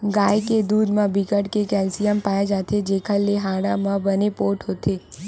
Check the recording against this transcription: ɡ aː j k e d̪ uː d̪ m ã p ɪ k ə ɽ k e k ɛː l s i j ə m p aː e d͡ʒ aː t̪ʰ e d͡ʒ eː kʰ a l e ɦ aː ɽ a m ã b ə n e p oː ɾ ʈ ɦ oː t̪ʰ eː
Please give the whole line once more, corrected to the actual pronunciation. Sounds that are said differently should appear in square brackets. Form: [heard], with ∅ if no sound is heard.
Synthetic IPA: ɡ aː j k e d̪ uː d̪ m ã [b] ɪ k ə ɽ k e k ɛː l s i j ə m p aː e d͡ʒ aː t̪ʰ e d͡ʒ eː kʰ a l e ɦ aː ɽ a m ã b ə n e p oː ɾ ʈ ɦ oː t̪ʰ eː